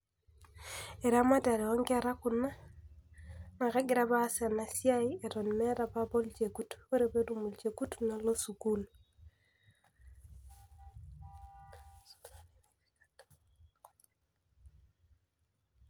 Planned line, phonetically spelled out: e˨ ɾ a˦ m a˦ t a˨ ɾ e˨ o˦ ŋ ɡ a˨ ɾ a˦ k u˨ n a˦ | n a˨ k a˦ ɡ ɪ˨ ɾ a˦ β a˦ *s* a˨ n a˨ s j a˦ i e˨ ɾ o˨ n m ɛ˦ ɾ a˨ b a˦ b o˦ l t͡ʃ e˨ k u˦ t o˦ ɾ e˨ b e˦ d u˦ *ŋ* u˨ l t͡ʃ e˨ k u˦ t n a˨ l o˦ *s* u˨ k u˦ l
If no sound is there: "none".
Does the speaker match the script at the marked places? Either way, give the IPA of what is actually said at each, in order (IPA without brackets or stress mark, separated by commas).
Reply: s, m, s